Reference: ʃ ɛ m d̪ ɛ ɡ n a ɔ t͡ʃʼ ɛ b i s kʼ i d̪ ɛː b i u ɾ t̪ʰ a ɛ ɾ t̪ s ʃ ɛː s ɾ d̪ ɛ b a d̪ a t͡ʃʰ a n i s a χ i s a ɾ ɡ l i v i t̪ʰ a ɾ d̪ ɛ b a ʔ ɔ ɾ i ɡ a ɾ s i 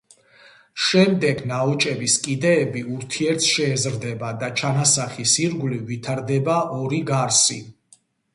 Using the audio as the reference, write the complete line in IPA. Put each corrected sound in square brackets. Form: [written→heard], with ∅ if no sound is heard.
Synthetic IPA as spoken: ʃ ɛ m d̪ ɛ ɡ n a ɔ t͡ʃʼ ɛ b i s kʼ i d̪ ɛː b i u ɾ t̪ʰ [a→i] ɛ ɾ t̪ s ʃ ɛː [s→z] ɾ d̪ ɛ b a d̪ a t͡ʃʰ a n [i→a] s a χ i s [a→i] ɾ ɡ l i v i t̪ʰ a ɾ d̪ ɛ b a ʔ ɔ ɾ i ɡ a ɾ s i